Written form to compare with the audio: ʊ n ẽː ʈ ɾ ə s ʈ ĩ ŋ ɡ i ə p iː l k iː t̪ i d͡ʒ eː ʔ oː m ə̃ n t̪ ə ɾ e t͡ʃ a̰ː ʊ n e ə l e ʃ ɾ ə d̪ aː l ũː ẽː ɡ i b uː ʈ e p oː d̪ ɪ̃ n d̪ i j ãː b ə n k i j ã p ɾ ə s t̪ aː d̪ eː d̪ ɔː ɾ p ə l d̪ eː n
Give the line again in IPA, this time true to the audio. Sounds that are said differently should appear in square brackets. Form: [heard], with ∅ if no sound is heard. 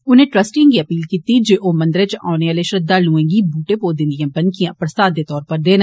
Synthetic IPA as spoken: ʊ n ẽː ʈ ɾ ə s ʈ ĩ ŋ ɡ i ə p iː l k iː t̪ i d͡ʒ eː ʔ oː m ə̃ n [d̪] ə ɾ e t͡ʃ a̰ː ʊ n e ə l e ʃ ɾ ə d̪ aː l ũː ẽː ɡ i b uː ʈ e p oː d̪ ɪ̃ n d̪ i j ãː b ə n k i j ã p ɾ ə s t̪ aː d̪ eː [t̪] ɔː ɾ p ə [ɾ] d̪ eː n